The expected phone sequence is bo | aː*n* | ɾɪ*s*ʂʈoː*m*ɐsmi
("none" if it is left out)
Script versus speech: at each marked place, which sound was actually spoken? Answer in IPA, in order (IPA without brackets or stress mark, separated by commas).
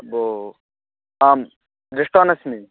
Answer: m, none, n